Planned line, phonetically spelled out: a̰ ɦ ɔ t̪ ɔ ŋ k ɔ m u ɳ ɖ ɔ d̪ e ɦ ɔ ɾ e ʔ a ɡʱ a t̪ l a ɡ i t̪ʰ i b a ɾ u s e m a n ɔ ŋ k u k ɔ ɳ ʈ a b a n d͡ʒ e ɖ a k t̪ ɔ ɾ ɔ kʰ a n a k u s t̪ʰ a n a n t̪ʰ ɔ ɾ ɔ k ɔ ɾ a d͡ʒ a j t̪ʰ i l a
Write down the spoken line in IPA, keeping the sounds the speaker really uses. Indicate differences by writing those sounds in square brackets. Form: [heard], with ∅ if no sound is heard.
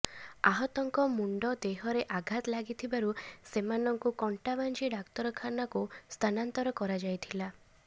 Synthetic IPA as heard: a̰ ɦ ɔ t̪ ɔ ŋ k ɔ m u ɳ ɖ ɔ d̪ e ɦ ɔ ɾ e ʔ a ɡʱ a t̪ l a ɡ i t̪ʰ i b a ɾ u s e m a n ɔ ŋ k u k ɔ ɳ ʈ a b a n d͡ʒ [i] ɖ a k t̪ ɔ ɾ ɔ kʰ a n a k u s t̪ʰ a n a n [t̪] ɔ ɾ ɔ k ɔ ɾ a d͡ʒ a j t̪ʰ i l a